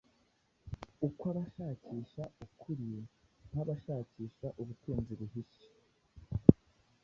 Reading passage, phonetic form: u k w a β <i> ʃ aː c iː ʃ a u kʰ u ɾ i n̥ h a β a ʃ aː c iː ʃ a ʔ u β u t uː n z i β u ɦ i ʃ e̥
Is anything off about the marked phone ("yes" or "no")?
yes